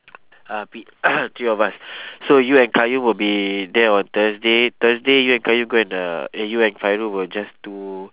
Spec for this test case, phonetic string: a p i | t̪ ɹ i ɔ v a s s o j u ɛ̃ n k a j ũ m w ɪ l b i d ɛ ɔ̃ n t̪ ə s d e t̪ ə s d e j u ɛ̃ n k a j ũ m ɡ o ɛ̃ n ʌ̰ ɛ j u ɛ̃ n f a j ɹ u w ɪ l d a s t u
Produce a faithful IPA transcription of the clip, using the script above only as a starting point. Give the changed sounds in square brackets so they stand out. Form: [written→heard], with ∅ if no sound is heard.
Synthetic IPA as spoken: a p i | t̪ ɹ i ɔ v a s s o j u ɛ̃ n k a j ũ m w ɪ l b i d ɛ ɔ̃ n t̪ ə s d e t̪ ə s d e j u ɛ̃ n k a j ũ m ɡ o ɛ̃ n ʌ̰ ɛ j u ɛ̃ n f a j ɹ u w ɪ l [d→d͡ʒ] a s t u

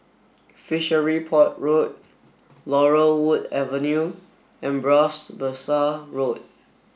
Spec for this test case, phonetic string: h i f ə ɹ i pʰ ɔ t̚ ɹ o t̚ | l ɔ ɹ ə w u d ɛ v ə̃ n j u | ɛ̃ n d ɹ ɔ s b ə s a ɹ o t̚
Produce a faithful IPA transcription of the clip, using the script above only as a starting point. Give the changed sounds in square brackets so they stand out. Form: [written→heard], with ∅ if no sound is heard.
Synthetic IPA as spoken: [h→f] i [f→ʃ] ə ɹ i pʰ ɔ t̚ ɹ o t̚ | l ɔ ɹ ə w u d ɛ v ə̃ n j u | ɛ̃ n [d→b] ɹ ɔ s b ə s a ɹ o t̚

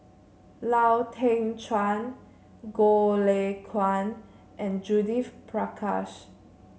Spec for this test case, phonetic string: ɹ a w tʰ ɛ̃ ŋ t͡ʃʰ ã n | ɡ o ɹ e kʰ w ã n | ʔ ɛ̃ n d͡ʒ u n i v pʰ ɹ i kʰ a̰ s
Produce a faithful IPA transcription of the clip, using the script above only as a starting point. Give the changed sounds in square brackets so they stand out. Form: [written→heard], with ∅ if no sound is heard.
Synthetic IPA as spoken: [ɹ→l] a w tʰ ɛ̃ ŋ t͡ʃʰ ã n | ɡ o [ɹ→l] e kʰ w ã n | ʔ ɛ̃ n d͡ʒ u [n→d] i [v→f] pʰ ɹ [i→a] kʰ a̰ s

